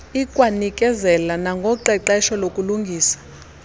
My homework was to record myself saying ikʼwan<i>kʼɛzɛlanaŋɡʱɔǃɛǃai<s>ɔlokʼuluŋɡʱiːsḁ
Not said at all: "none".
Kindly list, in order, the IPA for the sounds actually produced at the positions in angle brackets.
i, ʃ

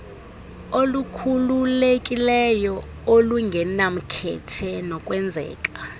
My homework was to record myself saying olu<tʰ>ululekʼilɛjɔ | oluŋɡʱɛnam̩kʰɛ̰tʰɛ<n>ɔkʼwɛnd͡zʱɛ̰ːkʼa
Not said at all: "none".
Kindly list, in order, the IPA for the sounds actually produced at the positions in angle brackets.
kʰ, n

